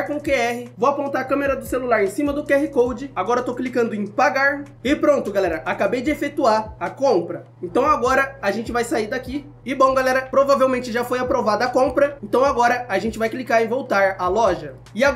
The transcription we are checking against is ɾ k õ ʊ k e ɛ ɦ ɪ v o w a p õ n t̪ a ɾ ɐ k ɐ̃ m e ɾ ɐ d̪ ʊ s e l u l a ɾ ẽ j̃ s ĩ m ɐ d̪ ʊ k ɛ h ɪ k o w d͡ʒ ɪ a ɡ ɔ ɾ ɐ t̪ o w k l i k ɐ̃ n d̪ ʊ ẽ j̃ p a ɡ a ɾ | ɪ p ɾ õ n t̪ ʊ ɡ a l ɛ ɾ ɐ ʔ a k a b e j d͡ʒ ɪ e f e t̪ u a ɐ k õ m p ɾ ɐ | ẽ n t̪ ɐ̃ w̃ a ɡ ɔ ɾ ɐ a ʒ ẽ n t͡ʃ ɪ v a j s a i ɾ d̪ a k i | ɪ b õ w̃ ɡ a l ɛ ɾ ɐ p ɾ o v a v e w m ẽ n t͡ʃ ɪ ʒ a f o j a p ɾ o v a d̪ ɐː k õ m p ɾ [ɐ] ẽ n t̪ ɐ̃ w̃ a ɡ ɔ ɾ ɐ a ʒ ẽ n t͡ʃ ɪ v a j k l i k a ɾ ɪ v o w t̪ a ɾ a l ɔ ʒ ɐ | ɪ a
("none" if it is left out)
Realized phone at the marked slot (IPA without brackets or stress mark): ɐ